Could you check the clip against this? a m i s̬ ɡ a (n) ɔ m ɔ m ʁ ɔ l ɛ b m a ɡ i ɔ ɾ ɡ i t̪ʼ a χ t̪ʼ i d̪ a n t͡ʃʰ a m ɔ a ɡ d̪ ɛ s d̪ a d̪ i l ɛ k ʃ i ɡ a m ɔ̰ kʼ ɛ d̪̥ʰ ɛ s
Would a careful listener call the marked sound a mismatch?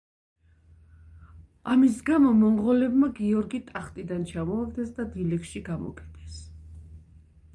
yes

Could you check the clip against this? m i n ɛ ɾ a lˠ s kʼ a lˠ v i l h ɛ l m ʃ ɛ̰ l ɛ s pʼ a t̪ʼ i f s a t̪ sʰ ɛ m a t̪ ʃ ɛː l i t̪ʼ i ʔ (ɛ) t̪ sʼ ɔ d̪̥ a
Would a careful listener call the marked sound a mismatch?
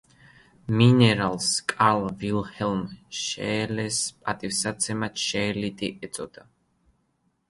no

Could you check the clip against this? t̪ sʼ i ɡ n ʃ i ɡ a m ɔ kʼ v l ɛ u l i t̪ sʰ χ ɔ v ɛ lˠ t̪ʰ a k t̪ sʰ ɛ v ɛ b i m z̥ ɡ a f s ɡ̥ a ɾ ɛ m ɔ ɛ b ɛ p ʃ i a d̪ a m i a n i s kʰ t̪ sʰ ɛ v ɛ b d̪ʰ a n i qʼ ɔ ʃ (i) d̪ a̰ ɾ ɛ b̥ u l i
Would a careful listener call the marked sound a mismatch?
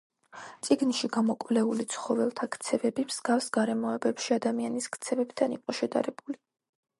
yes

